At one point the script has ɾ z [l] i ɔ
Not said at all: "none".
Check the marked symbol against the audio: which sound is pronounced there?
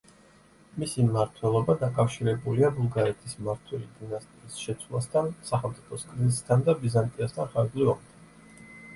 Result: l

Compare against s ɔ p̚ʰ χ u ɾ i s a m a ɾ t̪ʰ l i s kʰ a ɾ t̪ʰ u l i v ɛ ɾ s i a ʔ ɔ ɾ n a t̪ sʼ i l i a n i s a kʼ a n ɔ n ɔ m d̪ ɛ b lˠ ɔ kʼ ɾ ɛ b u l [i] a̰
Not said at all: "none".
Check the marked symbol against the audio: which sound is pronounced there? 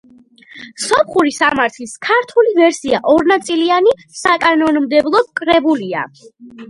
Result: i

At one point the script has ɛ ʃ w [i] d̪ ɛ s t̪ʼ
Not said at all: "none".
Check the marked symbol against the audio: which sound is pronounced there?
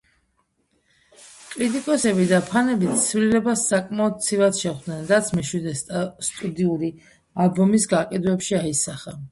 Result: i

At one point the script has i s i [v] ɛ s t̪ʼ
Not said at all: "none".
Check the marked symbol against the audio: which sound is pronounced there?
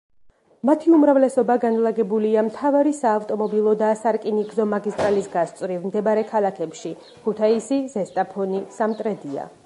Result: z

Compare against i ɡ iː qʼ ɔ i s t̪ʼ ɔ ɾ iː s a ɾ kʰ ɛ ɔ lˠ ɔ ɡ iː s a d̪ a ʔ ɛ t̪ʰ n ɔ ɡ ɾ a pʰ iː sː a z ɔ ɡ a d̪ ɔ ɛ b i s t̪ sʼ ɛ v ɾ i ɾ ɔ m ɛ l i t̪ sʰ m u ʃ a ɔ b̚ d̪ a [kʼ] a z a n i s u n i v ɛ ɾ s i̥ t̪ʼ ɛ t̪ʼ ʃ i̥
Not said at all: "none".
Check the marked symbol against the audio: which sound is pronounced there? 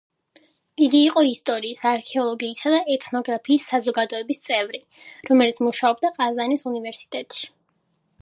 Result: qʼ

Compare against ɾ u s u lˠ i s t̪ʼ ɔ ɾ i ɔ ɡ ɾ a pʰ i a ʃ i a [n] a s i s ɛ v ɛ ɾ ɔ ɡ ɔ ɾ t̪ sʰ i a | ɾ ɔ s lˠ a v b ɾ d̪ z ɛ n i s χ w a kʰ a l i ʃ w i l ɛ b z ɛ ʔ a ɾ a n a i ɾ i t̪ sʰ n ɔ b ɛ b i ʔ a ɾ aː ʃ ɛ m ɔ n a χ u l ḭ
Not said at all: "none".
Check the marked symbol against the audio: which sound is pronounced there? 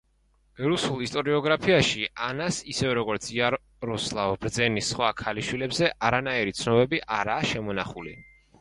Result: n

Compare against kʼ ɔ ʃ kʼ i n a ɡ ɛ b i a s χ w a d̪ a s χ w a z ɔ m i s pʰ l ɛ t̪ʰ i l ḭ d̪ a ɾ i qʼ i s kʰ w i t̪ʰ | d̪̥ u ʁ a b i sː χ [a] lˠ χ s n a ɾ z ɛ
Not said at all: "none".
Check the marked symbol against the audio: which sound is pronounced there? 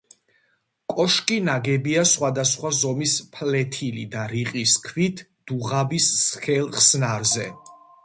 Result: ɛ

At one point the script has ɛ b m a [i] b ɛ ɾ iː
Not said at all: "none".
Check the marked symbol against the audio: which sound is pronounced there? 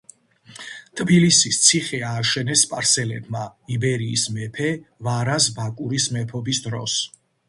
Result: i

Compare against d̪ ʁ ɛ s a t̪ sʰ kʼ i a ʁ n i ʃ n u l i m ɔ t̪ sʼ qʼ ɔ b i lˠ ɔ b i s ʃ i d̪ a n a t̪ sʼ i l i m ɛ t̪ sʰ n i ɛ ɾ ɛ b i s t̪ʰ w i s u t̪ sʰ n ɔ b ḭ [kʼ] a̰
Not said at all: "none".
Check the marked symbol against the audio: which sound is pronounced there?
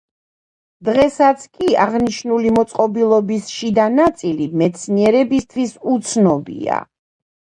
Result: none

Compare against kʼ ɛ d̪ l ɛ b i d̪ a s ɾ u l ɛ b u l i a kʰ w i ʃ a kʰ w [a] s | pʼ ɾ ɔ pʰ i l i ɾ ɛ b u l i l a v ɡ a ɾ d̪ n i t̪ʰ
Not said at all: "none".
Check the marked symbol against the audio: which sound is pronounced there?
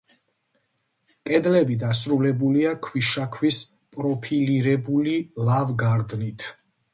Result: i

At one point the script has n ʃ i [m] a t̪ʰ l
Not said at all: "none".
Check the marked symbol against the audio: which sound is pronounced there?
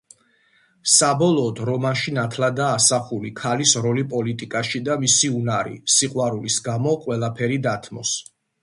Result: n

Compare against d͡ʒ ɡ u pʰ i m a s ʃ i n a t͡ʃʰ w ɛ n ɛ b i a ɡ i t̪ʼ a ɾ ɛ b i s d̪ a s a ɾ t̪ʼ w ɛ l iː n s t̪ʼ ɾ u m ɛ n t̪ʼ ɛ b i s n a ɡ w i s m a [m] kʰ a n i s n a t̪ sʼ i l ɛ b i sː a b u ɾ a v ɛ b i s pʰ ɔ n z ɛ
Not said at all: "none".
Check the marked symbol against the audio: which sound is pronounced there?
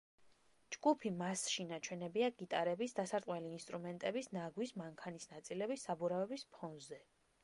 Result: ŋ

